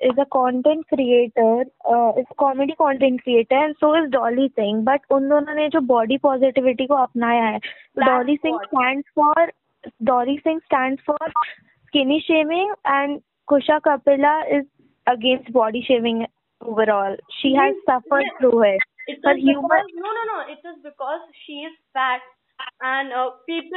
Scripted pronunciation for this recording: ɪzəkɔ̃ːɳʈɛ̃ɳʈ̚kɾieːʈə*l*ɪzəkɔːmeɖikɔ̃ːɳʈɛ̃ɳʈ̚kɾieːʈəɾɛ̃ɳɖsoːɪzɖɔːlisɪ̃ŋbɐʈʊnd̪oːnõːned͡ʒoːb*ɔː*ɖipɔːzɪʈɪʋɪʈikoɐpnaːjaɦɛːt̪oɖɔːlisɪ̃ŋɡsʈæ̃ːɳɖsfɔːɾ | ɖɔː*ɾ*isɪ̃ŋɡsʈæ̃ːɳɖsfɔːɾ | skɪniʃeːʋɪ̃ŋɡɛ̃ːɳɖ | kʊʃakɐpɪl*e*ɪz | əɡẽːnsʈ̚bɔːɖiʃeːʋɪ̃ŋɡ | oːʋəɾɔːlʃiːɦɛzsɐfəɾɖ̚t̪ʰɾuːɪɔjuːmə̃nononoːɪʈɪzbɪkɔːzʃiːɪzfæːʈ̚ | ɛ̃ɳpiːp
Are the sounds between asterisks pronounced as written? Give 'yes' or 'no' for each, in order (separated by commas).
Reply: no, yes, no, no